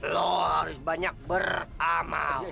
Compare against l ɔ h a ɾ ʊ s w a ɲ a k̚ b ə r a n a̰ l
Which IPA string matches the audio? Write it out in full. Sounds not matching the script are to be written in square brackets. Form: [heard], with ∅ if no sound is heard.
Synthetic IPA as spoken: l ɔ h a ɾ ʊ s [b] a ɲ a k̚ b ə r a [m] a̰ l